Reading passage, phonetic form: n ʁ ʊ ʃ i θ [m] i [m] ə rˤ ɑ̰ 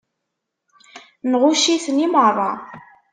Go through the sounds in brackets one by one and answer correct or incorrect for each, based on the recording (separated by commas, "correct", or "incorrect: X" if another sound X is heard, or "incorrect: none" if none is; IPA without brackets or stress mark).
incorrect: n, correct